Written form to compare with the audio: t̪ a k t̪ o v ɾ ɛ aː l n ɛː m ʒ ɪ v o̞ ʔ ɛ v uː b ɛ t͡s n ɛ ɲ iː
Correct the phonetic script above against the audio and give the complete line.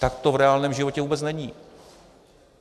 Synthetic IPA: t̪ a k t̪ o v ɾ ɛ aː l n ɛː m ʒ ɪ v o̞ c ɛ v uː b ɛ t͡s n ɛ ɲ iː